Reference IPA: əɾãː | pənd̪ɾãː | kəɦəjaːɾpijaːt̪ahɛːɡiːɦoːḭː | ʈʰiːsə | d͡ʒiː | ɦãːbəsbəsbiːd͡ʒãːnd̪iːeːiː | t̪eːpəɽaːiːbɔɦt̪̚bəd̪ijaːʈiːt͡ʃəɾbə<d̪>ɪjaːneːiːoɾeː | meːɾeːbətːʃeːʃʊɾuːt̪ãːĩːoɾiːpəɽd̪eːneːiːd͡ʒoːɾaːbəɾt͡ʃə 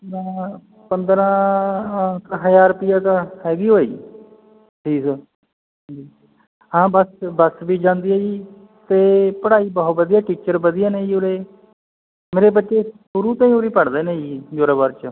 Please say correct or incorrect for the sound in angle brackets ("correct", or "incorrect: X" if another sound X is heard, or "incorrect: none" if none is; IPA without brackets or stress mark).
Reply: correct